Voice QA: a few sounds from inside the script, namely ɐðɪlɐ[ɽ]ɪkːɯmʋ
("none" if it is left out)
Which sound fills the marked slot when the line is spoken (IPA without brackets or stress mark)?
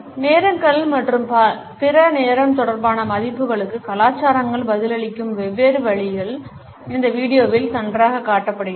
ɭ